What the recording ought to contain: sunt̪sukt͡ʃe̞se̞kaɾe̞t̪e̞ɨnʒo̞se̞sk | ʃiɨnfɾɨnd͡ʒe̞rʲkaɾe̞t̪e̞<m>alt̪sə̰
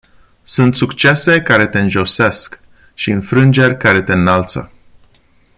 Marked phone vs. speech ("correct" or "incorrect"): incorrect